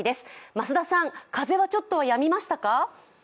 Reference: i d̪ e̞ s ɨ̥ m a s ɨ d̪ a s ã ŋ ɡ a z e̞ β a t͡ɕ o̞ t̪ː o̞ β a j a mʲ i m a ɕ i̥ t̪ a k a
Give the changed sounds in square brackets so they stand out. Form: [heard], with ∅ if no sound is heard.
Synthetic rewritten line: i d̪ e̞ s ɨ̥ m a s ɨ d̪ a s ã ŋ [k] a z e̞ β a t͡ɕ o̞ t̪ː o̞ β a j a mʲ i m a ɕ i̥ t̪ a k a